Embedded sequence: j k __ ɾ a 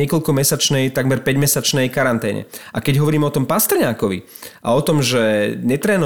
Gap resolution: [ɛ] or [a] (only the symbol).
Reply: a